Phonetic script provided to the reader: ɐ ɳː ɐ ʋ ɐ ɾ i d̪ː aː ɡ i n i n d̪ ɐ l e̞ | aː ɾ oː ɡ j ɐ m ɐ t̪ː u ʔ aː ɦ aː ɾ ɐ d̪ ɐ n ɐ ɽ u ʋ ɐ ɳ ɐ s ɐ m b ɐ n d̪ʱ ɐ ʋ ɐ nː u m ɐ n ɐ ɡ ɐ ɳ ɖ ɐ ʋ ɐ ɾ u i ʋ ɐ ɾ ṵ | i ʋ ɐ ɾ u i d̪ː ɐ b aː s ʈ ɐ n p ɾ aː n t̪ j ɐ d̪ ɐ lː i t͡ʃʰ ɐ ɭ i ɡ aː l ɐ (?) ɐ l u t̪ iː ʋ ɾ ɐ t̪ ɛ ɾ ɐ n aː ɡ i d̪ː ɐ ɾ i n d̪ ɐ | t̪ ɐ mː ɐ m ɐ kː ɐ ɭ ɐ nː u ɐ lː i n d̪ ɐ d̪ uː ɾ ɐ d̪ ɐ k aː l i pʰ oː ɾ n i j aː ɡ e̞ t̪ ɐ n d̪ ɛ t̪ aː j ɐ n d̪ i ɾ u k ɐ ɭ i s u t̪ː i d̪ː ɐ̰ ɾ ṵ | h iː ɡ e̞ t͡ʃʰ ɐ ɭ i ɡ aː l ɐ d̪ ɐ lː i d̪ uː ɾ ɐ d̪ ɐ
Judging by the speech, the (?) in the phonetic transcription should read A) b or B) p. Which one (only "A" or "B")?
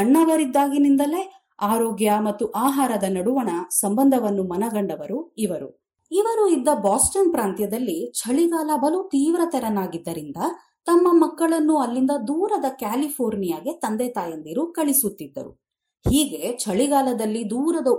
A